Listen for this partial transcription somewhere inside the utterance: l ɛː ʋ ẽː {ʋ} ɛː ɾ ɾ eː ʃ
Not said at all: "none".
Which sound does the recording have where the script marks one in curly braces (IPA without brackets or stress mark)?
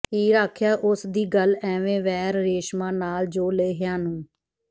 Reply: ʋ